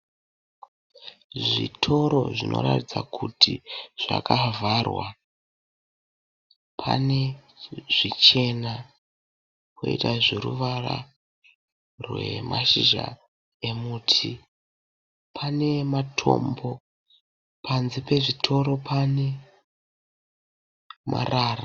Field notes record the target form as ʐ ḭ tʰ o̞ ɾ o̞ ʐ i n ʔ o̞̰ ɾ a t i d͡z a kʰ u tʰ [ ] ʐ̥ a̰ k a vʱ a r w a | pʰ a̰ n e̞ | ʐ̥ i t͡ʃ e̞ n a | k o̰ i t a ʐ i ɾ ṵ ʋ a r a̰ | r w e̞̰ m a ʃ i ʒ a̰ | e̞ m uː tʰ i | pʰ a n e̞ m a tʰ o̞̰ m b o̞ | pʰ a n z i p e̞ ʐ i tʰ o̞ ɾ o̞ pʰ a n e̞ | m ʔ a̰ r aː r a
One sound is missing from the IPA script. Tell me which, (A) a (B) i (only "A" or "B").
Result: B